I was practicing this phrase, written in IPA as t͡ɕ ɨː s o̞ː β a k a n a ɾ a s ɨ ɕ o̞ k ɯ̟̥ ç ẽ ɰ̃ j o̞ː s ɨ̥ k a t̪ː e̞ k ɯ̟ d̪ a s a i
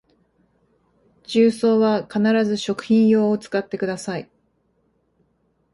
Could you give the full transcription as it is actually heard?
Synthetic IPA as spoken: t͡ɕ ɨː s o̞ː β a k a n a ɾ a z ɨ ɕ o̞ k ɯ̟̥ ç ĩ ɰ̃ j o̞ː t͡s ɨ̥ k a t̪ː e̞ k ɯ̟ d̪ a s a i